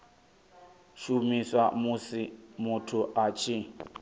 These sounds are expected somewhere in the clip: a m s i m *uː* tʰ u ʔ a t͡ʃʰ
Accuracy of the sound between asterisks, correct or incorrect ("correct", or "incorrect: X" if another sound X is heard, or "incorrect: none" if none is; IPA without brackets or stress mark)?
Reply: incorrect: u